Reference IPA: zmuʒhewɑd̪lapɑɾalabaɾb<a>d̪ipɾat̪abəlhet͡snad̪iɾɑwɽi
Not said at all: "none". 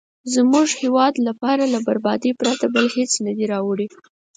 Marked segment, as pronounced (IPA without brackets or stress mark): ɑ